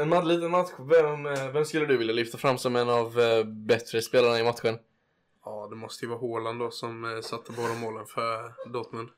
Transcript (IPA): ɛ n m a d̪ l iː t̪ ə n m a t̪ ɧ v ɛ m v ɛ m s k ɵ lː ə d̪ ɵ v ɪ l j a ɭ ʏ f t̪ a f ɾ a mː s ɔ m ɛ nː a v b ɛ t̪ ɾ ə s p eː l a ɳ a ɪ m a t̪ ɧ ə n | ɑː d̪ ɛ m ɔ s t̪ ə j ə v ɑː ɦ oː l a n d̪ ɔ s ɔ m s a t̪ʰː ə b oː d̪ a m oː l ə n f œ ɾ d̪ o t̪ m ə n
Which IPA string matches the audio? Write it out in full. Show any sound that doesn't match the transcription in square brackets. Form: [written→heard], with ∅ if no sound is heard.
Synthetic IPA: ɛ n m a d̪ l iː t̪ ə n m a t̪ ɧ v ɛ m v ɛ m s k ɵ lː ə d̪ ɵ v ɪ l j a [ɭ→l] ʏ f t̪ a f ɾ a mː s ɔ m ɛ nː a v b ɛ t̪ ɾ ə s p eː l a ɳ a ɪ m a t̪ ɧ ə n | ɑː d̪ ɛ m ɔ s t̪ ə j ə v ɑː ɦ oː l a n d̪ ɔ s ɔ m s a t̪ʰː ə b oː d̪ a m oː l ə n f œ ɾ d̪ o t̪ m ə n